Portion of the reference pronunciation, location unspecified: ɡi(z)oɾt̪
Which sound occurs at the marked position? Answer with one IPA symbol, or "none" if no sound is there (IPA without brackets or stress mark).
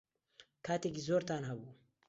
z